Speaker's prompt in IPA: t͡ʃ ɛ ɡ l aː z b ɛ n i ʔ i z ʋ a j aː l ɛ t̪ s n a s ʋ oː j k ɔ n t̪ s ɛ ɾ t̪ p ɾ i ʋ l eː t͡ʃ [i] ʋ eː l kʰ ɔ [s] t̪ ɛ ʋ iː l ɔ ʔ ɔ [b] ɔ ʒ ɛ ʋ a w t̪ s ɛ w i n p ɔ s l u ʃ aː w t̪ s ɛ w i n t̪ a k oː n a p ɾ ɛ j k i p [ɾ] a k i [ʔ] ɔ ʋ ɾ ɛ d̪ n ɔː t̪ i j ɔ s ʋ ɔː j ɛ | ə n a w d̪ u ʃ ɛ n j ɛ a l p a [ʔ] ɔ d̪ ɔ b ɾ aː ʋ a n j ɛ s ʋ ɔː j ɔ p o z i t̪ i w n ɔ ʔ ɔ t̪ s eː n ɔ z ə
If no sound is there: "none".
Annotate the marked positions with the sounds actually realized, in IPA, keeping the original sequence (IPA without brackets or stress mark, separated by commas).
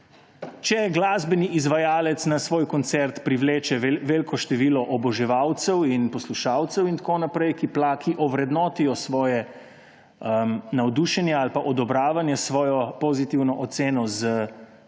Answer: ɛ, ʃ, b, l, ʔ, ʔ